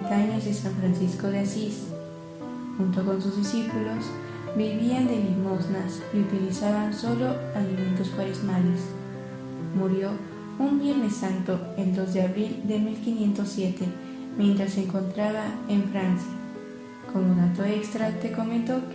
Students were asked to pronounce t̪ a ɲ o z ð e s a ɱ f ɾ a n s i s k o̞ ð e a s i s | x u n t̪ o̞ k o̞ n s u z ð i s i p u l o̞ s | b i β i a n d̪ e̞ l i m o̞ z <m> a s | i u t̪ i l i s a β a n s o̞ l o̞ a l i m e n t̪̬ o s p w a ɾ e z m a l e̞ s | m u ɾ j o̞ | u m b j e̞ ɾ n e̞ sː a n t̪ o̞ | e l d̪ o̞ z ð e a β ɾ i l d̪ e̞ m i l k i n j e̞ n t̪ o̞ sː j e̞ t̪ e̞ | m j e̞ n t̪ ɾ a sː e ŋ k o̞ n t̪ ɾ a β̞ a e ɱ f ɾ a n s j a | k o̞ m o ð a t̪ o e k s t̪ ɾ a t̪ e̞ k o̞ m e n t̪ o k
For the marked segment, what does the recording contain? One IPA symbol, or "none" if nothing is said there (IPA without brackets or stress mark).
n